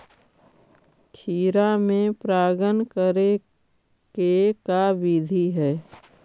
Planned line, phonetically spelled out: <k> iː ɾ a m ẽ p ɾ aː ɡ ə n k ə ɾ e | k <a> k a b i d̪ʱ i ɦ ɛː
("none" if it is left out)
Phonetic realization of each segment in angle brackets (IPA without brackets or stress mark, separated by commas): kʰ, e